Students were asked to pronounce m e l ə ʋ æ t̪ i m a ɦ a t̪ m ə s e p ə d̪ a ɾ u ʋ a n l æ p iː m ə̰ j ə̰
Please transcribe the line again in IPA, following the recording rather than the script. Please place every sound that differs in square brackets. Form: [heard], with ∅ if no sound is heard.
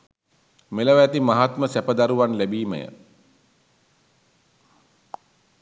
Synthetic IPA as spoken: m e l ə ʋ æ t̪ i m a ɦ a t̪ m ə s [æ] p ə d̪ a ɾ u ʋ a n l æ [b] iː m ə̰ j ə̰